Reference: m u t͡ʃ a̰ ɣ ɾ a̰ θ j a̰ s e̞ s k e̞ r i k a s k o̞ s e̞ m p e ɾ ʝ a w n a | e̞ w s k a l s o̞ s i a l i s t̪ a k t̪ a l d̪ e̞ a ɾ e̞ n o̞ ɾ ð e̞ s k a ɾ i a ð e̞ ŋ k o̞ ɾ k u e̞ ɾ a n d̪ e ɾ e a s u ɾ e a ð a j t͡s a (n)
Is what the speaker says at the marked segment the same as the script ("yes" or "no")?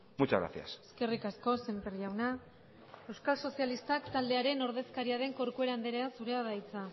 no